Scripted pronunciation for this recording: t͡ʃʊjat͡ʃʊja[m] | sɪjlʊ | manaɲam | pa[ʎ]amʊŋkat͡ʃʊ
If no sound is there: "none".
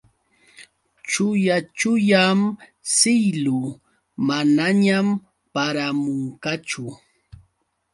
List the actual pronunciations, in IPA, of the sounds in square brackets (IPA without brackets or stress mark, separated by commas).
m, ɾ